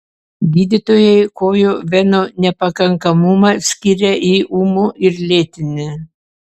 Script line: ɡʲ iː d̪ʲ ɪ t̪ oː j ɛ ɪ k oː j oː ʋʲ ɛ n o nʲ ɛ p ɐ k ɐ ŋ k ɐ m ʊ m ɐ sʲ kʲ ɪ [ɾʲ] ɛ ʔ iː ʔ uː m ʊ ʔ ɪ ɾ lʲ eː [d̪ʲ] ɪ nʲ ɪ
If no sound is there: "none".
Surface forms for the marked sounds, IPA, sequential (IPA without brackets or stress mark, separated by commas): ɾʲ, t̪ʲ